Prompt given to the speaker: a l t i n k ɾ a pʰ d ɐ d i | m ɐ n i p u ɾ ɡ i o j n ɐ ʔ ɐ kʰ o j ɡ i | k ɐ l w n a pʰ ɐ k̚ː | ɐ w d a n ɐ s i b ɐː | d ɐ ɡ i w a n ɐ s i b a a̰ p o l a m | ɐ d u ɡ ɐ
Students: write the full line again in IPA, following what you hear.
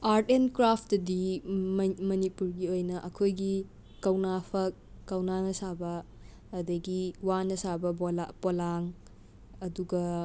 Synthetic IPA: a ɾ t e n k ɾ a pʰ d ɐ d i | m ɐ n i p u ɾ ɡ i o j n ɐ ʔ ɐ kʰ o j ɡ i | k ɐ w n a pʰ ɐ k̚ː | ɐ w n a n ɐ s a b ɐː | d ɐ ɡ i w a n ɐ s a b ɐ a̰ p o l a ŋ | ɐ d u ɡ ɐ

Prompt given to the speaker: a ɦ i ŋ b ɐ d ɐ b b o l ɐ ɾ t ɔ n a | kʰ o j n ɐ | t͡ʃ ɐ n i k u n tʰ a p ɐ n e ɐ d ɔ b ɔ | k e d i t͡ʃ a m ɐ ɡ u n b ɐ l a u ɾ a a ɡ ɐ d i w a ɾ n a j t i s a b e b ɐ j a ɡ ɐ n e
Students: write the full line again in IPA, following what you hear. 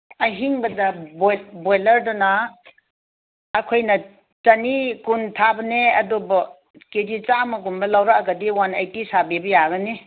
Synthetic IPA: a ɦ i ŋ b ɐ d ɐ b b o l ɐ ɾ d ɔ n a | kʰ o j n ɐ | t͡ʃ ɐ n i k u n tʰ a b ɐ n e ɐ d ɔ b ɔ | k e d i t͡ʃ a m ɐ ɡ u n b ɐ l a w ɾ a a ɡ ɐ d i w a n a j t i s a b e b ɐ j a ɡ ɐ n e

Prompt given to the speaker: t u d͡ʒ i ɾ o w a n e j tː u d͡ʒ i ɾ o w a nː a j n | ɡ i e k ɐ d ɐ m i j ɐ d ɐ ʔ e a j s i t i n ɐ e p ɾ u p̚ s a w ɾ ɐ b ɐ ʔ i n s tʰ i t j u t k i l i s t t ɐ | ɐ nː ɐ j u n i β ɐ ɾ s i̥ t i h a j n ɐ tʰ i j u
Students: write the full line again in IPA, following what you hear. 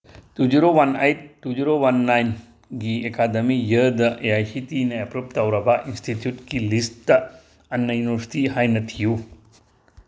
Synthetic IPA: t u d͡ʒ i ɾ o w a n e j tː u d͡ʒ i ɾ o w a nː a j n | ɡ i e k a d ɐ m i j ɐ d ɐ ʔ e a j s i t i n ɐ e p ɾ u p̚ t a w ɾ ɐ b ɐ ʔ i n s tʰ i t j u t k i l i s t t ɐ | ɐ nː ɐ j u n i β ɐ ɾ s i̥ t i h a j n ɐ tʰ i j u

